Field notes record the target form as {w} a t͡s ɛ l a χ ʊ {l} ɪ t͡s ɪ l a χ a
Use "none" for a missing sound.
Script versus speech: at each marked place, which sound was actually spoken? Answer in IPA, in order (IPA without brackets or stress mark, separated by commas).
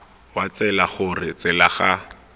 w, r